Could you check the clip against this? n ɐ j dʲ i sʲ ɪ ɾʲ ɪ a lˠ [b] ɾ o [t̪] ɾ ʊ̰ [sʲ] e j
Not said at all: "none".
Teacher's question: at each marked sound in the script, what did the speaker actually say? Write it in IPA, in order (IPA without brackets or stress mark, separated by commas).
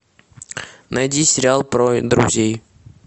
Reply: p, d̪, zʲ